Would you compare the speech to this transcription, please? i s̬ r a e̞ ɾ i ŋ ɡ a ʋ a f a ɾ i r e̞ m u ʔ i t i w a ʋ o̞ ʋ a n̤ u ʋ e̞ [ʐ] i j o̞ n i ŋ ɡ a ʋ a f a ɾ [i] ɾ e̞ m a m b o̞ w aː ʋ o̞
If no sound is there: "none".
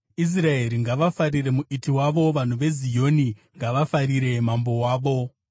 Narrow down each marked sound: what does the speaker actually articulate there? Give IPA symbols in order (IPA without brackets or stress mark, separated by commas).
z, i